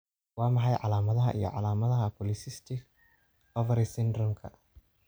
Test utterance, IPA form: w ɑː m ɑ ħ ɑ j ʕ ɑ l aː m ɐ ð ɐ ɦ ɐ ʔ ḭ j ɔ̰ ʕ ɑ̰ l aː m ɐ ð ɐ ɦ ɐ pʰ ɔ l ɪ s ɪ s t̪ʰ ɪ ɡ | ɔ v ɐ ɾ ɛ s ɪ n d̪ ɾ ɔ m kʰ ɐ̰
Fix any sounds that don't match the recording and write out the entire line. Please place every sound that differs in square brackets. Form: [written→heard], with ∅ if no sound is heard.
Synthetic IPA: w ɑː m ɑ ħ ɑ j ʕ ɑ l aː m ɐ ð ɐ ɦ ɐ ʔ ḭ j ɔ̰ ʕ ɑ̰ l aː m ɐ ð ɐ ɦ ɐ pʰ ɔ l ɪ s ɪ s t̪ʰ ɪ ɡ | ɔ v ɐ ɾ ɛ s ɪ n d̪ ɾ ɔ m kʰ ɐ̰